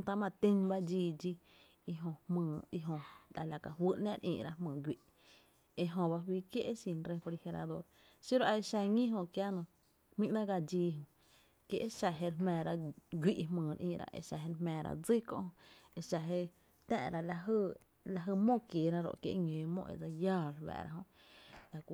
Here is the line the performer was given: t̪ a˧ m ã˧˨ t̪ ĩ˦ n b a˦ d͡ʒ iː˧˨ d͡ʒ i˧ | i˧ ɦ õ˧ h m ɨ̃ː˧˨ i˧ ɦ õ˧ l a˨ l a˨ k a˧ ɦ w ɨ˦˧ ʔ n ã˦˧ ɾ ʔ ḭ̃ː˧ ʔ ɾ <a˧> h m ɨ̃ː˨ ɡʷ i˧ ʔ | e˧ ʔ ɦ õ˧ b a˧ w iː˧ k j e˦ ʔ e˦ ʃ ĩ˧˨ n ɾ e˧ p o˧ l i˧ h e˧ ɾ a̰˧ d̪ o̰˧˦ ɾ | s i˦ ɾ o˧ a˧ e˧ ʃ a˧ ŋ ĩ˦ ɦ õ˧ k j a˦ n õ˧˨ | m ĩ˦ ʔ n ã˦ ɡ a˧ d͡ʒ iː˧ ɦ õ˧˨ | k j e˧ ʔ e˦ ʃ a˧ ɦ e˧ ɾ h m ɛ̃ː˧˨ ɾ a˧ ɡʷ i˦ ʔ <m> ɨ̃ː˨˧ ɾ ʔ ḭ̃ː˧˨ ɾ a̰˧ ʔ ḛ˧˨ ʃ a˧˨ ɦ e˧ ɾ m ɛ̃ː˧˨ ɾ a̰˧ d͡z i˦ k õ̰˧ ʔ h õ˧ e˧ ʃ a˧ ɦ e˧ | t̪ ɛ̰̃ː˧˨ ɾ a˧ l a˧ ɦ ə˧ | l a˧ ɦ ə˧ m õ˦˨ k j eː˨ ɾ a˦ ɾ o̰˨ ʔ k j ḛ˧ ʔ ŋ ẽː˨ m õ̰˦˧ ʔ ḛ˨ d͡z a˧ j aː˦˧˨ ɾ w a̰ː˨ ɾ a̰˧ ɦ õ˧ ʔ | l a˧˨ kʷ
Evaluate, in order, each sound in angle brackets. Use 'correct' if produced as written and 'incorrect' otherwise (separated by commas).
correct, correct